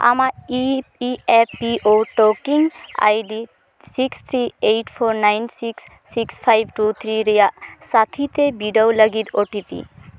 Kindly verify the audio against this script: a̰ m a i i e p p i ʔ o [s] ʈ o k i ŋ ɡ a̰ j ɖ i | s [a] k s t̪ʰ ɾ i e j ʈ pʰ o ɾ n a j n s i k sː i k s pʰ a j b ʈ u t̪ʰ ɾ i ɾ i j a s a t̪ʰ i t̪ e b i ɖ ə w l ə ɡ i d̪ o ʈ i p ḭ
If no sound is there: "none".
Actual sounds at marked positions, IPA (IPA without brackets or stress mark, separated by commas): none, i